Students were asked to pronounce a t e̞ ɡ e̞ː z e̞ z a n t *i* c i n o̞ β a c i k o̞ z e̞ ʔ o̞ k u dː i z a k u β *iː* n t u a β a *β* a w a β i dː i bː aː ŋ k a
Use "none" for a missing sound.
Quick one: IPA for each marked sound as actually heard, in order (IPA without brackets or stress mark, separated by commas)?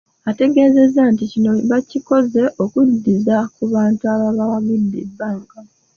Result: i, aː, β